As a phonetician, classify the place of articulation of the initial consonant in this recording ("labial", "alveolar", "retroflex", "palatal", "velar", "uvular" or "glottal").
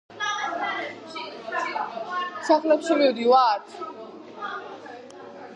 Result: alveolar